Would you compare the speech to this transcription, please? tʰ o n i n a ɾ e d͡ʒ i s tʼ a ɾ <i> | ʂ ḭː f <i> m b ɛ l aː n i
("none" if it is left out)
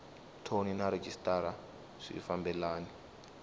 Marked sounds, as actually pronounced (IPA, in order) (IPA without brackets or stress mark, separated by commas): a, a